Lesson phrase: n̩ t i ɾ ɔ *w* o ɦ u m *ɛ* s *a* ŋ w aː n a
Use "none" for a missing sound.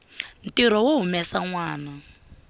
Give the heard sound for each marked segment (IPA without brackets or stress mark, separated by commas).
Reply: w, ɛ, a